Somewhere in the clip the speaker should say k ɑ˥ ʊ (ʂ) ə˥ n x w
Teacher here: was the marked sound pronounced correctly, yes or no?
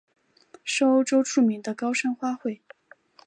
yes